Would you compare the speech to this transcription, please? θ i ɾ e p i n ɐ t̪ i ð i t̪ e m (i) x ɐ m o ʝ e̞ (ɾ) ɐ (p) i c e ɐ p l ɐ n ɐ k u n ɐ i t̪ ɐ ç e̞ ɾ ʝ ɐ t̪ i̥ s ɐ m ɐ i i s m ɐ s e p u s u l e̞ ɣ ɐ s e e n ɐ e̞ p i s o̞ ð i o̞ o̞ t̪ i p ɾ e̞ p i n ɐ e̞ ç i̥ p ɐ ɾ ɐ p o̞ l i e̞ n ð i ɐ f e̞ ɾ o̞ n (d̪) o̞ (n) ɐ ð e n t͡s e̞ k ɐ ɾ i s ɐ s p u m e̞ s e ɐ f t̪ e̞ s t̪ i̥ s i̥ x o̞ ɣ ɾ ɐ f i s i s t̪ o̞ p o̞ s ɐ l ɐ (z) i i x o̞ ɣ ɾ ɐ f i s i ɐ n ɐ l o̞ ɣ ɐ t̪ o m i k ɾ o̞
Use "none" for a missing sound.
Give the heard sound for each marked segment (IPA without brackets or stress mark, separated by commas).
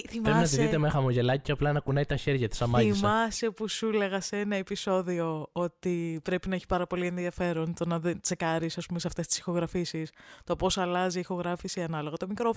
e, l, c, t̪, n, z